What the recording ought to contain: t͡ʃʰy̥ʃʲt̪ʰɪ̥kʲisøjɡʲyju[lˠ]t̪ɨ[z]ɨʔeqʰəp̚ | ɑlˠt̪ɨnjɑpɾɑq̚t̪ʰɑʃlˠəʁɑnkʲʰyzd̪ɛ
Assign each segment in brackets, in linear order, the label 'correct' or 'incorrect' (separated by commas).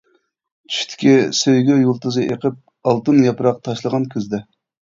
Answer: correct, correct